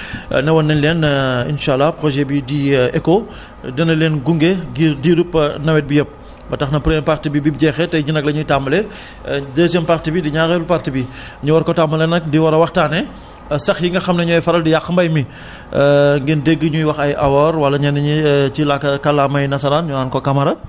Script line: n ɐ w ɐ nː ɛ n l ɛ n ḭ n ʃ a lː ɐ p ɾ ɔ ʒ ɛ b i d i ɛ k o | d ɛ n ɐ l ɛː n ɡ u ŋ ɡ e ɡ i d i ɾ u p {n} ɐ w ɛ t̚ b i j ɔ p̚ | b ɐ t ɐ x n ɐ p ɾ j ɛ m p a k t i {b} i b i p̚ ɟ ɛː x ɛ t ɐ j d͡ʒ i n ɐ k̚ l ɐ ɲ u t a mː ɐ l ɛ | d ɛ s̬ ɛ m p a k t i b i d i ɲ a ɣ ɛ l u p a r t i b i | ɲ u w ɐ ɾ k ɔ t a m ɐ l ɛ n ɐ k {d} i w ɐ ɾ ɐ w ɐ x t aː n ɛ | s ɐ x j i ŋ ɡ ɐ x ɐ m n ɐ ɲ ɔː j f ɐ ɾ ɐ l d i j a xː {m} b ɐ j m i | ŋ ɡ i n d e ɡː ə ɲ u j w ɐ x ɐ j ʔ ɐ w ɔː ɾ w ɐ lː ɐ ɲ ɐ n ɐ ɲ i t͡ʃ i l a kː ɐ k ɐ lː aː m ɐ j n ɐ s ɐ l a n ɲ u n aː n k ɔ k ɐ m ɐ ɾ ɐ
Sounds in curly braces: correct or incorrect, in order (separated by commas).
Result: correct, correct, correct, correct